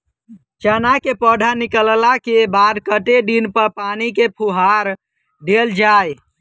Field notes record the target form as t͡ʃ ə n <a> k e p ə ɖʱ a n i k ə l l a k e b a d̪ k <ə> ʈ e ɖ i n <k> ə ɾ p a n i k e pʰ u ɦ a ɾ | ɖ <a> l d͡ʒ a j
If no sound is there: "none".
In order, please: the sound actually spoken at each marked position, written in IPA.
a, ə, p, e

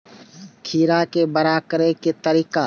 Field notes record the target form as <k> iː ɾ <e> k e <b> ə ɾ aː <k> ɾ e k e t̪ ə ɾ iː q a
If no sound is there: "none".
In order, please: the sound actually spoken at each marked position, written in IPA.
kʰ, a, b, k

